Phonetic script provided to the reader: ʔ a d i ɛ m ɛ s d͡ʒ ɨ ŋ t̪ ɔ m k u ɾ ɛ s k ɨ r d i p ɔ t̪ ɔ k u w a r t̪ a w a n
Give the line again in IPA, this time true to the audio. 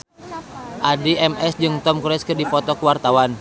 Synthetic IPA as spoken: ʔ a d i ɛ m ɛ s d͡ʒ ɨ ŋ t̪ ɔ m k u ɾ ɛ s k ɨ r d i p ɔ t̪ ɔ k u w a r t̪ a w a n